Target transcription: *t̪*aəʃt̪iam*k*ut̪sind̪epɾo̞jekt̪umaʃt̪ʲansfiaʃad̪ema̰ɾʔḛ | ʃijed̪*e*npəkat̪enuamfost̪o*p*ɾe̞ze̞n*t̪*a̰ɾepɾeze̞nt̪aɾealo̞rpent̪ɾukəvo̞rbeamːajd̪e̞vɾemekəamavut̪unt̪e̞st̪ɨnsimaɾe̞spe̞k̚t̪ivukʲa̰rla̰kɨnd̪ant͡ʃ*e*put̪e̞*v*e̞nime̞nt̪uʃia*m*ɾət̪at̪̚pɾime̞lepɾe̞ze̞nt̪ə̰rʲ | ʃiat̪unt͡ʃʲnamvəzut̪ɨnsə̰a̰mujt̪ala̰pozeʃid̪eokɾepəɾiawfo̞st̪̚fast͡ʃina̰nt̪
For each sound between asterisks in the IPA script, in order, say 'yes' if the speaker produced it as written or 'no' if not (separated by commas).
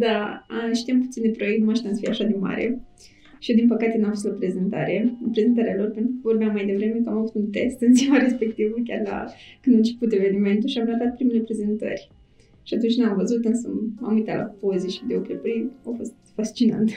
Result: no, no, no, yes, yes, yes, yes, yes